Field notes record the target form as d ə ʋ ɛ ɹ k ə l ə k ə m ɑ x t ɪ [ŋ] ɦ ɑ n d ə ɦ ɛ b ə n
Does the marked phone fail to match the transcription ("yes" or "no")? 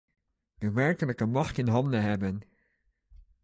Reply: yes